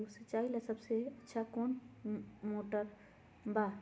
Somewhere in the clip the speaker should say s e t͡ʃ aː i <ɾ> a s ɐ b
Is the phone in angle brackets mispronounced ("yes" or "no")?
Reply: yes